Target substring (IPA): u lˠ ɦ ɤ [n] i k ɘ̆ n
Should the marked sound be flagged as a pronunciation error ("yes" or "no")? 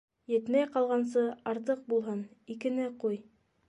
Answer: no